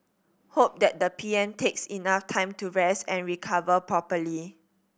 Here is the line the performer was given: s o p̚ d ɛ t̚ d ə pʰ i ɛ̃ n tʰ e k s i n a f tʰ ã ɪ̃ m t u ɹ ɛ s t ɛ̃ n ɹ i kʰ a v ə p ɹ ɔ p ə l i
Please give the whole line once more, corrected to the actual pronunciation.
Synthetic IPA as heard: h o p̚ d ɛ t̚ d ə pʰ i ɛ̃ n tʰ e k s i n a f tʰ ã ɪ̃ m t u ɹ ɛ s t ɛ̃ n ɹ i kʰ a v ə p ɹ ɔ p ə l i